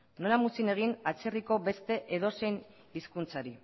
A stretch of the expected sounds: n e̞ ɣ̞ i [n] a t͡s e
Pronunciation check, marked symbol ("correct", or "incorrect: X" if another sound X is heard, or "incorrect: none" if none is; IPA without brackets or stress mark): correct